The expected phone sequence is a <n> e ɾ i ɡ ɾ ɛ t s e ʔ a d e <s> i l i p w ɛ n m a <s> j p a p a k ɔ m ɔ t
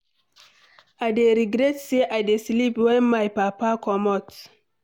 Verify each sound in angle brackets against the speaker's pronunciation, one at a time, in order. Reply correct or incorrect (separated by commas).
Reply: incorrect, correct, incorrect